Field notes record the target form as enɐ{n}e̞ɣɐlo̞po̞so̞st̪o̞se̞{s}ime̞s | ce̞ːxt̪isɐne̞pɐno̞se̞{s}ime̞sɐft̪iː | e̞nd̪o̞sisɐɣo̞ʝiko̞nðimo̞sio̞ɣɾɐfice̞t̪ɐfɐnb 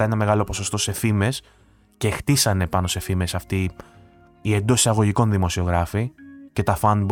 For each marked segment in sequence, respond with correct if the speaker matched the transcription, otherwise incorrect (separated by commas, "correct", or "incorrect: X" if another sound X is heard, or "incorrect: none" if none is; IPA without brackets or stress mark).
incorrect: m, incorrect: f, incorrect: f